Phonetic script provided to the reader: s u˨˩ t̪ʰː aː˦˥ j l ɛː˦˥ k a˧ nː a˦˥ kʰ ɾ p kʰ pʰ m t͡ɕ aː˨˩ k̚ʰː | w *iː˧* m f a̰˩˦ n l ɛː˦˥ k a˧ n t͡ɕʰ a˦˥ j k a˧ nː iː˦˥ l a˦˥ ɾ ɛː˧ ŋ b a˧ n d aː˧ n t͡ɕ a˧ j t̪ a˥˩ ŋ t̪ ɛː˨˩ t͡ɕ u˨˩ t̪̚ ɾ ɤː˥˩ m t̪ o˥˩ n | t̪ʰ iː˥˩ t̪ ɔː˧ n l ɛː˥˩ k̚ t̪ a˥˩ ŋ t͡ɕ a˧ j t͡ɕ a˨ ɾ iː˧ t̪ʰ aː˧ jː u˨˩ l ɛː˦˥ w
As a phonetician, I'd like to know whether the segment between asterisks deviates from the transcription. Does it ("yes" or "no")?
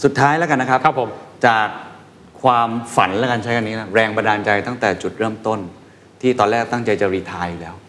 yes